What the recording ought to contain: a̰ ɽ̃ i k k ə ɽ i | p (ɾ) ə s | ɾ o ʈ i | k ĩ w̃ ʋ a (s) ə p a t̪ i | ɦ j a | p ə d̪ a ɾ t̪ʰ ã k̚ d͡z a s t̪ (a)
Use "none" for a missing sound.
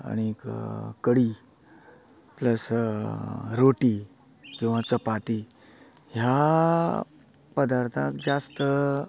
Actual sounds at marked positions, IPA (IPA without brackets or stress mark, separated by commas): l, t͡s, ə